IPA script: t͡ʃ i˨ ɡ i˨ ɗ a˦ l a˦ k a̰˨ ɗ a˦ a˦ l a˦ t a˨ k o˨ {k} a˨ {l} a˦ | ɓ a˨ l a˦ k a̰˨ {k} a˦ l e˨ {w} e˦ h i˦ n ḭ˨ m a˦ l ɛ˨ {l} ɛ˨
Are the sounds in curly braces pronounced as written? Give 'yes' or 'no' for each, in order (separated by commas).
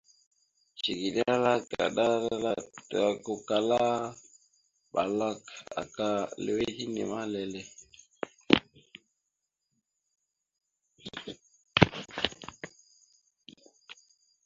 yes, yes, yes, yes, yes